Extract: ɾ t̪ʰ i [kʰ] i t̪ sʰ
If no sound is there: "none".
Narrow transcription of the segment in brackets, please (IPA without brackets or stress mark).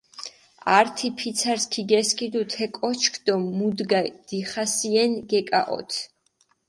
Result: pʰ